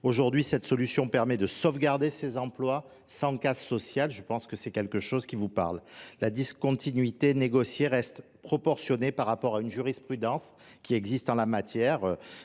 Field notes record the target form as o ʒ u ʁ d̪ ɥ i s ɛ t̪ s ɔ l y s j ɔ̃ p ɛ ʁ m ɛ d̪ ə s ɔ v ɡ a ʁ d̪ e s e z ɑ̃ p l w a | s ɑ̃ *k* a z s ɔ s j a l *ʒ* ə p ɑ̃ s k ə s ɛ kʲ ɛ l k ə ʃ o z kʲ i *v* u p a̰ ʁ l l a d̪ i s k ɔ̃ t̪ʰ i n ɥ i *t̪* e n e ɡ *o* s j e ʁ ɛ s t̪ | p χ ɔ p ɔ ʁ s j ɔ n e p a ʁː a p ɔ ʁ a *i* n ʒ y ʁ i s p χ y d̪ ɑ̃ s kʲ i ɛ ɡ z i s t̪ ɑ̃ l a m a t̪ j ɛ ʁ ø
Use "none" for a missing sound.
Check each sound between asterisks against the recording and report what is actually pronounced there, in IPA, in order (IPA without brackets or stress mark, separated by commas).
k, ʒ, v, t̪, ɔ, y